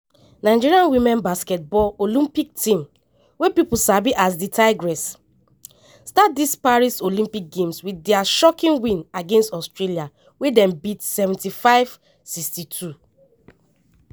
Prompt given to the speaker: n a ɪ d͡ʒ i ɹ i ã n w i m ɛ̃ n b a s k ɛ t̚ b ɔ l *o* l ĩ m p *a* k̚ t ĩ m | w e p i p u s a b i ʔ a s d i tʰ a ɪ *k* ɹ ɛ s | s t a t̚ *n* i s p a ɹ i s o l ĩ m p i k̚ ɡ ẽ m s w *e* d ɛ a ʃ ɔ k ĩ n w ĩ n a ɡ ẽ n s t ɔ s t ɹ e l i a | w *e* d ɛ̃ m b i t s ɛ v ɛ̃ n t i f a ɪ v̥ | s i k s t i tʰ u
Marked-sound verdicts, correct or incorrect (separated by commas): correct, incorrect, incorrect, incorrect, incorrect, correct